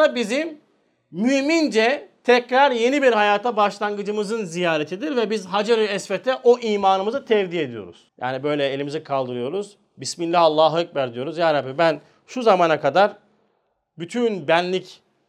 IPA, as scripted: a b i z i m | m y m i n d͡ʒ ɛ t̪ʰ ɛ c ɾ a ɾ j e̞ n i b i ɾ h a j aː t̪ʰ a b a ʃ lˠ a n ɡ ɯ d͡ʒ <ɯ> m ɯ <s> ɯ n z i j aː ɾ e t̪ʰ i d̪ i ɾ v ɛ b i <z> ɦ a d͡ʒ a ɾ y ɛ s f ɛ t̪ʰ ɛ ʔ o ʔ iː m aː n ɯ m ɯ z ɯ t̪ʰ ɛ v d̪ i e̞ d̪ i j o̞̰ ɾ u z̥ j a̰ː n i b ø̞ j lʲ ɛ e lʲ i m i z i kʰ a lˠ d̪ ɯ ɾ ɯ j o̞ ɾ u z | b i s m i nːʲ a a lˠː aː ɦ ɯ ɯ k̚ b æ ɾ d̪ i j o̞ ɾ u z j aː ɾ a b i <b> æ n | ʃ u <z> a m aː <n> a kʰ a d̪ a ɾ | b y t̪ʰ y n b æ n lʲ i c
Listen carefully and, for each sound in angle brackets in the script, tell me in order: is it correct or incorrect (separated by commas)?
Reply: correct, incorrect, correct, correct, correct, correct